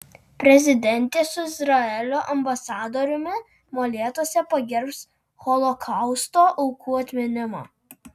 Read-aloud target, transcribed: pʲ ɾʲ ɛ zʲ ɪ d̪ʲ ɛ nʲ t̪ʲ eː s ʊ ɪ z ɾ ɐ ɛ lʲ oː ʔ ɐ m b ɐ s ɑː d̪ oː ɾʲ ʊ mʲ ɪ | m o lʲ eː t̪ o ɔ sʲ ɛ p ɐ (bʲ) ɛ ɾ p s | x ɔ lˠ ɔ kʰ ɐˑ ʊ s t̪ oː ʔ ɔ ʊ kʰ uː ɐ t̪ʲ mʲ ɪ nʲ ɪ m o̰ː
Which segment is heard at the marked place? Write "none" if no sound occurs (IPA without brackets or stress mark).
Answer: ɡʲ